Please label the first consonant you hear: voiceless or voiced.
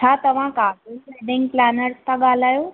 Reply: voiceless